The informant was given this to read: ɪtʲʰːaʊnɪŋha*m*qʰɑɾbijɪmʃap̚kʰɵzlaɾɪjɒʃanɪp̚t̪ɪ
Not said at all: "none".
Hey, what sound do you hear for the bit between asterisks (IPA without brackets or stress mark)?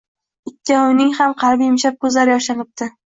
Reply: m